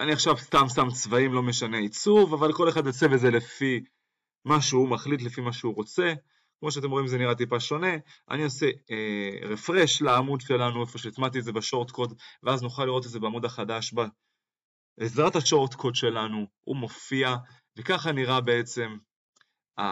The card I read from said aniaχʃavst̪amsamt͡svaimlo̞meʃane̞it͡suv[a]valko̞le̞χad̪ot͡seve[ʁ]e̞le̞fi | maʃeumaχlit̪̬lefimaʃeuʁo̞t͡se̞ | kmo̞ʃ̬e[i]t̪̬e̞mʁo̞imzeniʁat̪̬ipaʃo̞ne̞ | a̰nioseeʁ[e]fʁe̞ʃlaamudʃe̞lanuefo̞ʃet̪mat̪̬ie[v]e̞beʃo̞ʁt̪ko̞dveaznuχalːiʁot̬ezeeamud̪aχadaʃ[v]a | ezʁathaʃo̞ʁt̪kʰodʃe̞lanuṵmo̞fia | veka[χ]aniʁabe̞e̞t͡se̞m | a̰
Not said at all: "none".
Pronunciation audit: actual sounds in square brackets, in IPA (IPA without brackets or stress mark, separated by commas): a, z, a, e, z, b, χ